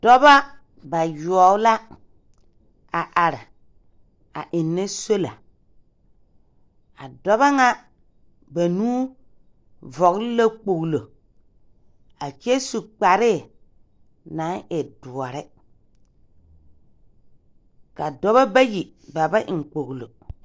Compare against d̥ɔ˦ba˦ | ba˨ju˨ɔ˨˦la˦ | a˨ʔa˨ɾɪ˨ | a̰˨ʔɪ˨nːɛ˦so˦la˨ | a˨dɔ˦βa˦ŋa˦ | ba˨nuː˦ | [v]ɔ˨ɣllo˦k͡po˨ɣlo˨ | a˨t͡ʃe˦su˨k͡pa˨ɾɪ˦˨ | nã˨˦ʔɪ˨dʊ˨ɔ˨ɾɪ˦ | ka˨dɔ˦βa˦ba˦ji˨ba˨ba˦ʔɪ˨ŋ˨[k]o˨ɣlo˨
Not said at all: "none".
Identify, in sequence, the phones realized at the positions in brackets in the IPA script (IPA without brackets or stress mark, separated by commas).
v, k͡p